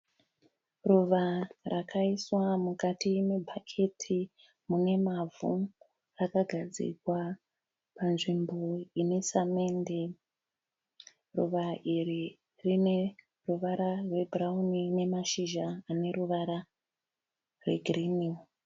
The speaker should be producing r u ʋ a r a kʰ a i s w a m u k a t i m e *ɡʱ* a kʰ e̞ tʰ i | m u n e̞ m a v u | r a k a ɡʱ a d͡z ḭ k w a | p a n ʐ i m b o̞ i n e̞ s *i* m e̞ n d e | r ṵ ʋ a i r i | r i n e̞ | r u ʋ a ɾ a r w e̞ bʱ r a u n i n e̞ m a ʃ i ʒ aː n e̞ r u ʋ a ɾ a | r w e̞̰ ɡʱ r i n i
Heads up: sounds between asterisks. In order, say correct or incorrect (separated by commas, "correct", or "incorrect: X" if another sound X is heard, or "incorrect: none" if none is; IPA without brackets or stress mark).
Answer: incorrect: bʱ, incorrect: a